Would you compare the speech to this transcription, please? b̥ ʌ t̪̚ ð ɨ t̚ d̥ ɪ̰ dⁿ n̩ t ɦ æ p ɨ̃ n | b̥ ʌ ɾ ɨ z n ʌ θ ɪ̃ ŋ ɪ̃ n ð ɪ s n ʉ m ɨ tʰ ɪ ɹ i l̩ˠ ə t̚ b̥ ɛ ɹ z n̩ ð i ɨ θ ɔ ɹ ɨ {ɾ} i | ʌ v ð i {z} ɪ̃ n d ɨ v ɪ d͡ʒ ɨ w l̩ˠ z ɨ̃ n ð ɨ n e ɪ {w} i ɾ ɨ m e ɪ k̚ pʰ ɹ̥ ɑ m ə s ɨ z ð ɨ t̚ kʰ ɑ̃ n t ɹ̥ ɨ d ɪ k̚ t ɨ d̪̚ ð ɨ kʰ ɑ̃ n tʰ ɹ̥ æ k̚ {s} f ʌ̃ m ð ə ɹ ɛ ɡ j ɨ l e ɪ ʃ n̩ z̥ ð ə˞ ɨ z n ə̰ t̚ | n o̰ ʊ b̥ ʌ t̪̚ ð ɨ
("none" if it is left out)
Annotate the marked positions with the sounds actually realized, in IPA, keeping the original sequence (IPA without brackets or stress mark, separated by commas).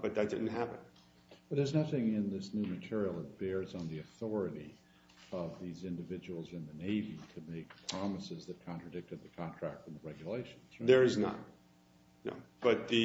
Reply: ɾ, z, v, t